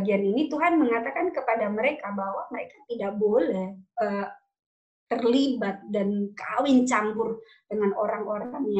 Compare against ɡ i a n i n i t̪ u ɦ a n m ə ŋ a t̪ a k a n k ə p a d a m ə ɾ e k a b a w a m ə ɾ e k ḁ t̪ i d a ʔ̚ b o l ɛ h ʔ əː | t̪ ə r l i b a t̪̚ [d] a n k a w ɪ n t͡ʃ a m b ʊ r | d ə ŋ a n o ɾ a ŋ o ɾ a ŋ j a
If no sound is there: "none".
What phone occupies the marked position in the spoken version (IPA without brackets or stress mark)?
d